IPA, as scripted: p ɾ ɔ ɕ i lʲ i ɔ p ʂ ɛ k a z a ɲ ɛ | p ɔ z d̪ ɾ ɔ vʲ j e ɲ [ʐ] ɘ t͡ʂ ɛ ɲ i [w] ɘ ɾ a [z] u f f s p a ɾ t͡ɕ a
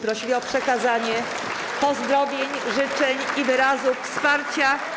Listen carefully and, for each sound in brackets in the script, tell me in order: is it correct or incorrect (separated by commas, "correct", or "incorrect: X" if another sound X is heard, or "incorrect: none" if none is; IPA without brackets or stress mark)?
correct, incorrect: v, correct